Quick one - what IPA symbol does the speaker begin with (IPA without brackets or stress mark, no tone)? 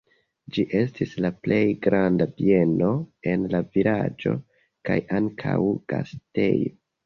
d͡ʒ